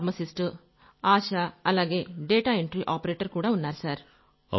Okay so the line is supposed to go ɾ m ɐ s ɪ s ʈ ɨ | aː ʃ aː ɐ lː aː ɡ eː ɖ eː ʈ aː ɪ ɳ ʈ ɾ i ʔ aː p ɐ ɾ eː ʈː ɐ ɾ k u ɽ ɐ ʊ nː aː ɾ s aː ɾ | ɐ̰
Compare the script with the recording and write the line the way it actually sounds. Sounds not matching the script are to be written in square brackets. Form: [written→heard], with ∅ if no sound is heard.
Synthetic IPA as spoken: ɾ m ɐ s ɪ s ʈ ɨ | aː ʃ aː ɐ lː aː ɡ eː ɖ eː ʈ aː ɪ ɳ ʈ ɾ i ʔ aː p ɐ ɾ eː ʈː ɐ ɾ k [u→uː] ɽ ɐ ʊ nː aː ɾ s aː ɾ | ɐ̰